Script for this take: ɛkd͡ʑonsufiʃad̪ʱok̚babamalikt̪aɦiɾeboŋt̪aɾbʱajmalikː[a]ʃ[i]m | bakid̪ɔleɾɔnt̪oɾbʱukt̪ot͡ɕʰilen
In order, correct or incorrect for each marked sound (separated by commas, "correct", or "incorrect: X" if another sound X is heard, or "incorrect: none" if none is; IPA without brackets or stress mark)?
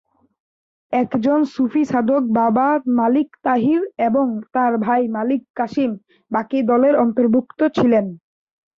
correct, correct